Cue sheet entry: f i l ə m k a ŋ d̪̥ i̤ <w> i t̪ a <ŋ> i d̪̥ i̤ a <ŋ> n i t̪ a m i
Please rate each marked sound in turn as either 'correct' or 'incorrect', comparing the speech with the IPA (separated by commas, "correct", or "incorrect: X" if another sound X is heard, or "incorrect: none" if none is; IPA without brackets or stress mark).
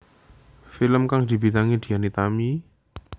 incorrect: b, correct, incorrect: none